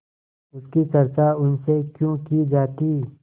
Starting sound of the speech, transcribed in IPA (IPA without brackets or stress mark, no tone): ʊ